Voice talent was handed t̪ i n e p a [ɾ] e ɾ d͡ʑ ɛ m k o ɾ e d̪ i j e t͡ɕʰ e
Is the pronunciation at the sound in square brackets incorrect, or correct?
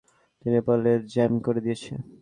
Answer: incorrect